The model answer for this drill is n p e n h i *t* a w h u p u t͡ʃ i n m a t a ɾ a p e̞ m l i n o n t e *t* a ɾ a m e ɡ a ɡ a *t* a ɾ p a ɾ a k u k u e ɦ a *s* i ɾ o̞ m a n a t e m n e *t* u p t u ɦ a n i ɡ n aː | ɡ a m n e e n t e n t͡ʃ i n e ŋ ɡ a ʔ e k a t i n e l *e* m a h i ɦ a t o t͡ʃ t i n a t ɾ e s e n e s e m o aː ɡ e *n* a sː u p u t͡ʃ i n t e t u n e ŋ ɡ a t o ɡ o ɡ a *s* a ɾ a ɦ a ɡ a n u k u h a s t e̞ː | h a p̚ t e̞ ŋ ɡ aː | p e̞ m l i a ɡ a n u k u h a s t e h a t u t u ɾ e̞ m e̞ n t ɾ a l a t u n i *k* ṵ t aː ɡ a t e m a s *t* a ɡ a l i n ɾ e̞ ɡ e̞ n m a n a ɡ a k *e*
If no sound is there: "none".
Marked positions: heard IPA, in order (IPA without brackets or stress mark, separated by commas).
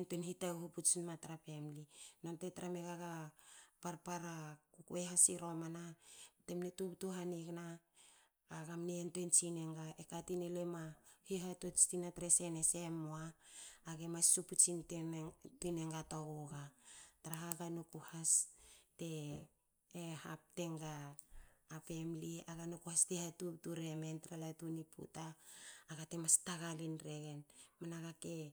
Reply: t, t, p, s, t, e, m, t, p, t, e